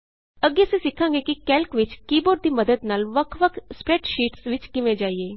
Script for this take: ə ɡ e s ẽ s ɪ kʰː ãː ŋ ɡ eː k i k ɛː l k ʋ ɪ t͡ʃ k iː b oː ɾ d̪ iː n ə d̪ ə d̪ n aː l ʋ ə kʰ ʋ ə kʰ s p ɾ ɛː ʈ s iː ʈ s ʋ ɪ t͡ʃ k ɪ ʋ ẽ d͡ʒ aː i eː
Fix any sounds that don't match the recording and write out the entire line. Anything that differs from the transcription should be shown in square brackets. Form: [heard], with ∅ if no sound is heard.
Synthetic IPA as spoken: ə ɡ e s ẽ s ɪ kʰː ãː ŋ ɡ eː k i k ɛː l k ʋ ɪ t͡ʃ k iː b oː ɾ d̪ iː [m] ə d̪ ə d̪ n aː l ʋ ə kʰ ʋ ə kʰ s p ɾ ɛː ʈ [ʃ] iː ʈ s ʋ ɪ t͡ʃ k ɪ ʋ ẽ d͡ʒ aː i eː